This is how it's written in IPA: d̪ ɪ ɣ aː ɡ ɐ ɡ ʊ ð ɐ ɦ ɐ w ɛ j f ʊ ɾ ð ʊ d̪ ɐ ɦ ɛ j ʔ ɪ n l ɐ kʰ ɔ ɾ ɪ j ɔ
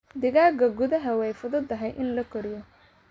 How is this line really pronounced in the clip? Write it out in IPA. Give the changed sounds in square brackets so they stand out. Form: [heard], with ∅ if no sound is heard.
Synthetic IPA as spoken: d̪ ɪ ɣ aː ɡ ɐ ɡ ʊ ð ɐ ɦ ɐ w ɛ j f ʊ [∅] ð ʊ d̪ ɐ ɦ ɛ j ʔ ɪ n l ɐ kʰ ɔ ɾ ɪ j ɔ